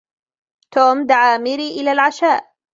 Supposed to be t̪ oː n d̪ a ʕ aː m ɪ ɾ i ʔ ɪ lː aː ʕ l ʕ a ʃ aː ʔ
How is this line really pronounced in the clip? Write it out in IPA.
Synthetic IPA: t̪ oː m d̪ a ʕ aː m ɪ ɾ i ʔ ɪ l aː l ʕ a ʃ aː ʔ